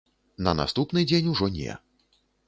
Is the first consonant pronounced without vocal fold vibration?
no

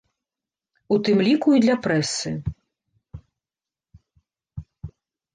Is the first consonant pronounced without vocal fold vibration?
yes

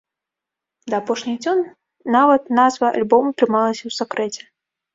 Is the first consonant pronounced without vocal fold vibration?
no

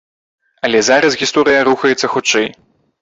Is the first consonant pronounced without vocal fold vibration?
no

